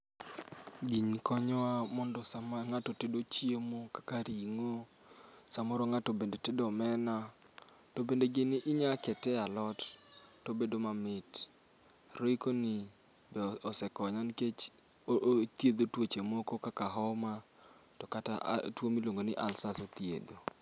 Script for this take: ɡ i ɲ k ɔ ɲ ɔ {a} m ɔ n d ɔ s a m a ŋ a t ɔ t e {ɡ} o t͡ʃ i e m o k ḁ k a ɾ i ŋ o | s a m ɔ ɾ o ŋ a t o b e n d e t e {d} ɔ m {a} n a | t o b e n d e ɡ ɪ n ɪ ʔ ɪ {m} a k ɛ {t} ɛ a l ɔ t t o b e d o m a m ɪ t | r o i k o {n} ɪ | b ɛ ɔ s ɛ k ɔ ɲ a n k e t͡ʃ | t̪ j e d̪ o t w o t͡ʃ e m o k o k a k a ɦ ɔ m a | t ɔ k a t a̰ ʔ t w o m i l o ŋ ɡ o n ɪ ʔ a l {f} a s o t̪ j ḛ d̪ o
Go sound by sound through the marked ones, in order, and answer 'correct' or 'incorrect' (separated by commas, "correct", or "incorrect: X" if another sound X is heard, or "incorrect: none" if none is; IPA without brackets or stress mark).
correct, incorrect: d, correct, incorrect: ɛ, incorrect: ɲ, correct, correct, incorrect: s